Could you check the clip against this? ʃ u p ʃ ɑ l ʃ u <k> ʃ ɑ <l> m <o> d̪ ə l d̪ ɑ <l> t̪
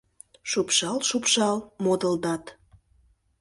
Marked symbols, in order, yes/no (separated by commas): no, yes, yes, no